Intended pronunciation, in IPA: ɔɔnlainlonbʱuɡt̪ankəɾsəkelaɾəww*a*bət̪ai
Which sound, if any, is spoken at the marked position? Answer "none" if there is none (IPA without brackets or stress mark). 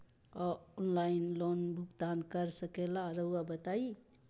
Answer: a